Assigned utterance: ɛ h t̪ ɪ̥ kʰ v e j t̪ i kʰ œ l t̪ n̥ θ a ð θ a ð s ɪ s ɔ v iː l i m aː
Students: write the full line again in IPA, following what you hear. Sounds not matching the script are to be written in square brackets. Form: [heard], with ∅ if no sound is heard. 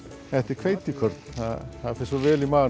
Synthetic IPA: ɛ h t̪ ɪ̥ kʰ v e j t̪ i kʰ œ [ɾ] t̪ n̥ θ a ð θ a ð [f] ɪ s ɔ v [ɛː] l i m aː